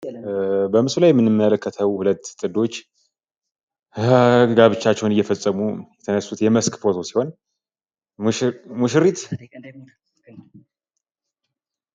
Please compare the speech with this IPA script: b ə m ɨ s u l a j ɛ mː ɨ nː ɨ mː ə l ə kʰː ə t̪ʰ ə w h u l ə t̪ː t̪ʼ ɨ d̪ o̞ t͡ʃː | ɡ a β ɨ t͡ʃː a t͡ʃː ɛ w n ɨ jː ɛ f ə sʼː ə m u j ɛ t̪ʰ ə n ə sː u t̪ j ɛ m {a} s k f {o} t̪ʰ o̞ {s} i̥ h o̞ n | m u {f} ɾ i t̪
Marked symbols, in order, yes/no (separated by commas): no, yes, yes, no